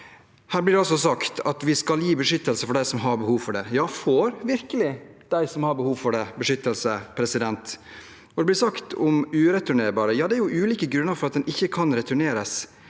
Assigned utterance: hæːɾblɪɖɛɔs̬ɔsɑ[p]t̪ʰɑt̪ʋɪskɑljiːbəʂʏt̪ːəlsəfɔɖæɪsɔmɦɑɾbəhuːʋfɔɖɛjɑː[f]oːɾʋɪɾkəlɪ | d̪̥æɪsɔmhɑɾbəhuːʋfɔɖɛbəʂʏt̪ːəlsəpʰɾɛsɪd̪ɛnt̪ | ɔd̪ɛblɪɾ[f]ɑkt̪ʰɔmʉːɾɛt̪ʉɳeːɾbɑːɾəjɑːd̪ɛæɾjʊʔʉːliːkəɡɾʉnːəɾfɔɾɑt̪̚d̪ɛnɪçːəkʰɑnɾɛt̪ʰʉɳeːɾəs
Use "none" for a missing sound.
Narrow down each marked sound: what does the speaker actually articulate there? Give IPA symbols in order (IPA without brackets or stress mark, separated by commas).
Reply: k, f, s